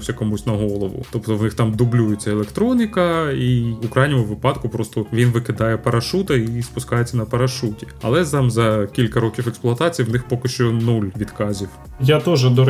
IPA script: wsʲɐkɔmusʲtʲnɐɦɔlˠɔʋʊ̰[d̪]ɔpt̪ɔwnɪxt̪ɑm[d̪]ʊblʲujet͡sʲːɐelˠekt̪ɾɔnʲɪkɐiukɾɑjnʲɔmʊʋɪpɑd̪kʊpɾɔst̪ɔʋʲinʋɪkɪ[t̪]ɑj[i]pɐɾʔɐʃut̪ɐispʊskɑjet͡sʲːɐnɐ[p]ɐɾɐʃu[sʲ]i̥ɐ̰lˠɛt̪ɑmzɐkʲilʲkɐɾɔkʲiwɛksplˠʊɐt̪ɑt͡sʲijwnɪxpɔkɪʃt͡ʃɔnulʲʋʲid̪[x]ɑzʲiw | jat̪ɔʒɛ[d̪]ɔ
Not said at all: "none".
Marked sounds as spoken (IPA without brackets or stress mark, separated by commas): t̪, d̪, d̪, ɛ, p, tʲ, k, d̪